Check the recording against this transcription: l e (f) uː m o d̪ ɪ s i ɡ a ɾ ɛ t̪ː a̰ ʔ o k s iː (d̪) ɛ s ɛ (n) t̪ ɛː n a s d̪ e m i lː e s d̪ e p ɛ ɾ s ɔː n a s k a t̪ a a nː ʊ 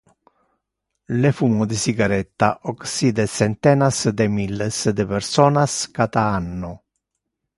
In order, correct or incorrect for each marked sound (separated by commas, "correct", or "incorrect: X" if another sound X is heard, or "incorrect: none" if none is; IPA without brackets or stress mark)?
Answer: correct, correct, correct